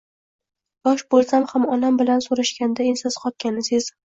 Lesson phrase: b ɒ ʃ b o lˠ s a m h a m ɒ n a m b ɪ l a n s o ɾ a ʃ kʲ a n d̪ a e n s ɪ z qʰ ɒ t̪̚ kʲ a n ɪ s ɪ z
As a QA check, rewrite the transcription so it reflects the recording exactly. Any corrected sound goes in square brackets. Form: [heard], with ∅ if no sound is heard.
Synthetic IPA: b ɒ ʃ b o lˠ s a m h a m ɒ n a m b ɪ l a n s o ɾ a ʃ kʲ a n d̪ a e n s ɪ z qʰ ɒ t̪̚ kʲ a n ɪ s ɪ z